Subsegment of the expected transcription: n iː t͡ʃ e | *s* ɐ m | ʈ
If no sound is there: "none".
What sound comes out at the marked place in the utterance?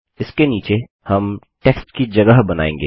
h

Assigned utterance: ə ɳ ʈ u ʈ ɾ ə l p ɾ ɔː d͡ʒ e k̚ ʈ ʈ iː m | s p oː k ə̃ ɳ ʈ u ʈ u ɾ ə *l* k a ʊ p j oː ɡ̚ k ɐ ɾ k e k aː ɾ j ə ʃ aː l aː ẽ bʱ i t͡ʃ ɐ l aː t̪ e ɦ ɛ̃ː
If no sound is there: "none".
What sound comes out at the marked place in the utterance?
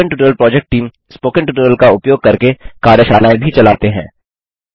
l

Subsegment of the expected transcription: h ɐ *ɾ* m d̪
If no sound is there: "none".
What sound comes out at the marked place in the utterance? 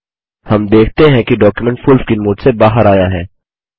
none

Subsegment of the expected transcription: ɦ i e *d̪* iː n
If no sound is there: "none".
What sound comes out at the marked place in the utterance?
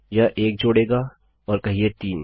t̪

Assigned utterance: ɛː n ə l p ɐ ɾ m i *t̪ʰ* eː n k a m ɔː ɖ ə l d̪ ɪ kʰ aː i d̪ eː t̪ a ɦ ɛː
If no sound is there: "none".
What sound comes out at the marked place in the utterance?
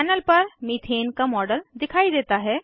t̪ʰ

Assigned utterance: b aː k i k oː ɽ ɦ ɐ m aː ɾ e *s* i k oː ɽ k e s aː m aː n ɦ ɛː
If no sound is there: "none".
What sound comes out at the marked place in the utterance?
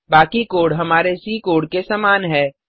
s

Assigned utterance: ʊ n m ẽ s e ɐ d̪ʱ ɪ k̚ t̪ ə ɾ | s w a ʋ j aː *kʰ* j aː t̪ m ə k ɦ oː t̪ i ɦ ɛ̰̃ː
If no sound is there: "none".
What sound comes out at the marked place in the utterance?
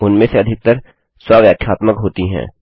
kʰ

